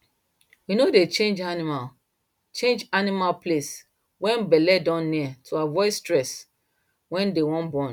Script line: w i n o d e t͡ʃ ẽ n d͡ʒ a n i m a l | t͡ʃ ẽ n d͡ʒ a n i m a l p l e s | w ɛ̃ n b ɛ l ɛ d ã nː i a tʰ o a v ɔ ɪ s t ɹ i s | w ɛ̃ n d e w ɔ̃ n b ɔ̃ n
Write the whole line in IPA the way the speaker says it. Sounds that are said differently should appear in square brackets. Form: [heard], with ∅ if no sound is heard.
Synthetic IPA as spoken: w i n o d e t͡ʃ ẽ n d͡ʒ a n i m a l | t͡ʃ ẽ n d͡ʒ a n i m a l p l e s | w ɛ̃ n b ɛ l ɛ d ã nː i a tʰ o a v ɔ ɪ s t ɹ [ɛ] s | w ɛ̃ n d e w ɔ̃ n b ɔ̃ n